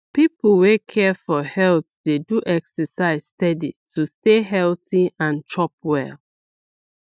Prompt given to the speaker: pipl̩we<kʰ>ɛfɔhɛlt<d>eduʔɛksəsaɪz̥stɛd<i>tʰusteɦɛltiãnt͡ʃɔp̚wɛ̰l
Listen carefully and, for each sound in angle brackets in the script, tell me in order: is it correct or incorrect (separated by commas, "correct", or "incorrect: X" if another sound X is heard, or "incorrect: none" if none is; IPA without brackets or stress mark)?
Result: correct, correct, correct